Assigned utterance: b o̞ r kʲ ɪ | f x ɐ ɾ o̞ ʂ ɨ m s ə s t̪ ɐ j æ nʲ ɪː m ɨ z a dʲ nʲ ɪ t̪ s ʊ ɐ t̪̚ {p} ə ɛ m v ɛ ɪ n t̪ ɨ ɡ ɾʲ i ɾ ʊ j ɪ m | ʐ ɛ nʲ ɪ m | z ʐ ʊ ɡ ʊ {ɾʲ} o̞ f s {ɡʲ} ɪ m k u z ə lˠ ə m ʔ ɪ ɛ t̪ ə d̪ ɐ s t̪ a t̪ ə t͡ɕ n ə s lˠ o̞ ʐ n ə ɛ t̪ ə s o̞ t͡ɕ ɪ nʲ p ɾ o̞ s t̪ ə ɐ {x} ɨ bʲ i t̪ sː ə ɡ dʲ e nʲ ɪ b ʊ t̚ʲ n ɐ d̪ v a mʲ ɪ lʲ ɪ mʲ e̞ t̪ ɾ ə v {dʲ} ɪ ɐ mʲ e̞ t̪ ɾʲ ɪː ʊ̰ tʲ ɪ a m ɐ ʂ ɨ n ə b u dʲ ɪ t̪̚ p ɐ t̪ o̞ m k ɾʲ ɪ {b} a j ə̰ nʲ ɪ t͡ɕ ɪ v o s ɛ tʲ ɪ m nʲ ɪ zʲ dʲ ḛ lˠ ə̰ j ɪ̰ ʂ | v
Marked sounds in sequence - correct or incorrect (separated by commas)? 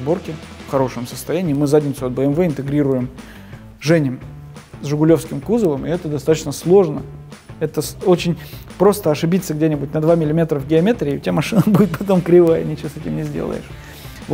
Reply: incorrect, incorrect, incorrect, incorrect, incorrect, incorrect